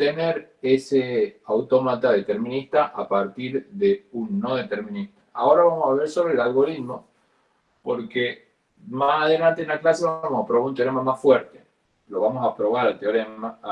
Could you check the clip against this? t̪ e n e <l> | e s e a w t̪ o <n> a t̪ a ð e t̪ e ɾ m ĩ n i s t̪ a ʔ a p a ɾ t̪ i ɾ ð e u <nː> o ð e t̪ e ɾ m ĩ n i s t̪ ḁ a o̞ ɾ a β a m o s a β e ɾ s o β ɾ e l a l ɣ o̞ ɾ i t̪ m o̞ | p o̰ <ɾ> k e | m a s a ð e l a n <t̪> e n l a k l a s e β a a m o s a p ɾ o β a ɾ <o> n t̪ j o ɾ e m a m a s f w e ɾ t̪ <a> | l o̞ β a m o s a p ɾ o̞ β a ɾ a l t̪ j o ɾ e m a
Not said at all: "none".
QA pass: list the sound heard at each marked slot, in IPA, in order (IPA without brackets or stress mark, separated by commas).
ɾ, m, nː, ɾ, t̪, u, e